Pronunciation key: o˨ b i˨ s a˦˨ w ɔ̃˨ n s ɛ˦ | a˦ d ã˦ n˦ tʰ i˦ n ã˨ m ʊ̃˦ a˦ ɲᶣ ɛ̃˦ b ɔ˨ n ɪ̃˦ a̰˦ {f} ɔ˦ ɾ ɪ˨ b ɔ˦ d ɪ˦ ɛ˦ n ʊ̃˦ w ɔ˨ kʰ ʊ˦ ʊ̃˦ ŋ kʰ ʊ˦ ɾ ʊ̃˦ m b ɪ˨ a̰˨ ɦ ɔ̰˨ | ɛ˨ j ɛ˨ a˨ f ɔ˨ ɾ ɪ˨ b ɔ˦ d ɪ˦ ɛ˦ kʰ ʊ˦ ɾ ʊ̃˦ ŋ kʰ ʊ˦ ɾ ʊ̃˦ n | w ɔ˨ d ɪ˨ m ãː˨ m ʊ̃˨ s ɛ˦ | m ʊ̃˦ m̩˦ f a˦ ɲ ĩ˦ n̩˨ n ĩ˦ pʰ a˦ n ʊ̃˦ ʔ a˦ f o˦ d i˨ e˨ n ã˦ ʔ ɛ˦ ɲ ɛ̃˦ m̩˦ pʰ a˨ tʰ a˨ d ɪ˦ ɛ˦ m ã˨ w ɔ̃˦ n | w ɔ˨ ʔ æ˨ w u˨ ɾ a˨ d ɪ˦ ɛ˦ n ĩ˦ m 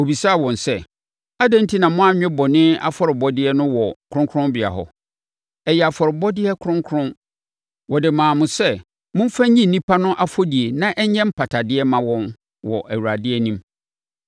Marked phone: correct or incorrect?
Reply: correct